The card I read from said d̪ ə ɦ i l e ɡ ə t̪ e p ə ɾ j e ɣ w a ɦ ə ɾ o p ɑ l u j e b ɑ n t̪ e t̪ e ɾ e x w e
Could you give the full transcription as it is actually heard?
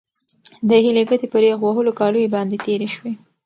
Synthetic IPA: d̪ ə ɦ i l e ɡ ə t̪ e p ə ɾ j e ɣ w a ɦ ə l o k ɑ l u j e b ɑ n d̪ e t̪ e ɾ e ʃ w e